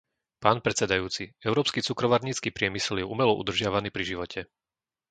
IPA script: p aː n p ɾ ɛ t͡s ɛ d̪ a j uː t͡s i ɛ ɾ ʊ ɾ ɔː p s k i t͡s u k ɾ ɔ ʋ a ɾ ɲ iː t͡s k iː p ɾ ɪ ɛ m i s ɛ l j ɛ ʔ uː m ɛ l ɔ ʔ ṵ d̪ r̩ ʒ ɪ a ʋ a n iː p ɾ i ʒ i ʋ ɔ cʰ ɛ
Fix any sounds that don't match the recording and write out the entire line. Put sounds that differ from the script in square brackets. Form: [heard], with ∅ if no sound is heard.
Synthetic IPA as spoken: p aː n p ɾ ɛ t͡s ɛ d̪ a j uː t͡s i ɛ [∅] ʊ ɾ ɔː p s k i t͡s u k ɾ ɔ ʋ a ɾ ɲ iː t͡s k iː p ɾ ɪ ɛ m i s ɛ l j ɛ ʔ [u] m ɛ l ɔ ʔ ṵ d̪ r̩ ʒ ɪ a ʋ a n iː p ɾ i ʒ i ʋ ɔ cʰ ɛ